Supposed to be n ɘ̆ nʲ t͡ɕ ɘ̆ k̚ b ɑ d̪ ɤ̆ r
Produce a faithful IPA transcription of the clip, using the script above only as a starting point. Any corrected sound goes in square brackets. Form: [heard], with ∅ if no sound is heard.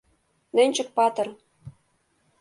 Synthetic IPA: n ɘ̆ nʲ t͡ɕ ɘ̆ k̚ [p] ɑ [t̪] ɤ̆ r